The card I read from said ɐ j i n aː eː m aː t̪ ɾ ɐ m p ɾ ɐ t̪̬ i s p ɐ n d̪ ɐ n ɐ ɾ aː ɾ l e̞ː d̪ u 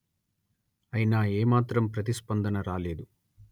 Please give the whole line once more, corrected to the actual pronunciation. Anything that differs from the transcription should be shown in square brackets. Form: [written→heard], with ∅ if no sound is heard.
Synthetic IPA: ɐ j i n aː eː m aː t̪ ɾ ɐ m p ɾ ɐ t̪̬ i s p ɐ n d̪ ɐ n ɐ ɾ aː [ɾ→∅] l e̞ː d̪ u